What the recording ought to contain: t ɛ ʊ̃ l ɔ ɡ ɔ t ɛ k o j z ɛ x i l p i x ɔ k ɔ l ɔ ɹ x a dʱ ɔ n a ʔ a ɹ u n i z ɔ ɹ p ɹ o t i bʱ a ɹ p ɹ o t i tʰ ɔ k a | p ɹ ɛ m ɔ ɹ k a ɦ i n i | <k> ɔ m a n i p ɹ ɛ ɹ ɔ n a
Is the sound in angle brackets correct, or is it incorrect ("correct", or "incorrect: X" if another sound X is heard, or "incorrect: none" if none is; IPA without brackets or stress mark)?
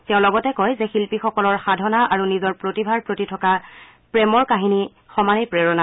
incorrect: x